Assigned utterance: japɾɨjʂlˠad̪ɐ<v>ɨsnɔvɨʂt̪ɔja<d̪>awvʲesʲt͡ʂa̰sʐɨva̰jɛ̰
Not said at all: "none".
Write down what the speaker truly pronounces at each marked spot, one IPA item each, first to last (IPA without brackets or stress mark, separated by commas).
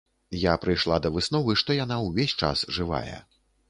v, n̪